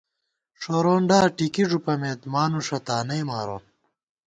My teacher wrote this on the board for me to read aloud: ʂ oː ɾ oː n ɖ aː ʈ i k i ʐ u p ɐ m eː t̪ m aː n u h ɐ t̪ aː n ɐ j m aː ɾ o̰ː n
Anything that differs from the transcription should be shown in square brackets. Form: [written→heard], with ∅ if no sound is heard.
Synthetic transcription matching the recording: ʂ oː ɾ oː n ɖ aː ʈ i k i ʐ u p ɐ m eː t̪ m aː n u [h→ʂ] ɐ t̪ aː n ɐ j m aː ɾ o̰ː n